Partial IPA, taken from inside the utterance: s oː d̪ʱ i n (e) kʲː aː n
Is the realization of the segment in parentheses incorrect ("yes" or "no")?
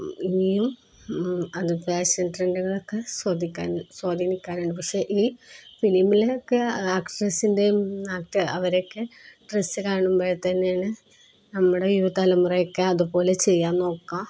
yes